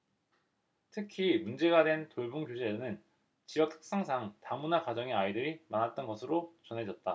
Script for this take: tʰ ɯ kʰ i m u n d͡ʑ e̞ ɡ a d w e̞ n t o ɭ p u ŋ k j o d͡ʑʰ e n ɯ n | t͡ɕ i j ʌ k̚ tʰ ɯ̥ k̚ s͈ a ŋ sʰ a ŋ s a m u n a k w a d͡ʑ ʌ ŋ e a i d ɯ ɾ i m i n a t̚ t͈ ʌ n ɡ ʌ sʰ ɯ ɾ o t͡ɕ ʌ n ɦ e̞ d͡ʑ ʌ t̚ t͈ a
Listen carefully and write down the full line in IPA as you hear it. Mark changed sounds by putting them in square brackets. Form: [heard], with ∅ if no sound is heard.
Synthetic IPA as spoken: tʰ ɯ kʰ i m u n d͡ʑ e̞ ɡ a d w e̞ n t o ɭ [b] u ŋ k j o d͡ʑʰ e n ɯ n | t͡ɕ i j ʌ k̚ tʰ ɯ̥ k̚ s͈ a ŋ sʰ a ŋ [t] a m u n a k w a d͡ʑ ʌ ŋ e a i d ɯ ɾ i m [a] n a t̚ t͈ ʌ n ɡ ʌ sʰ ɯ ɾ o t͡ɕ ʌ n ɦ e̞ d͡ʑ ʌ t̚ t͈ a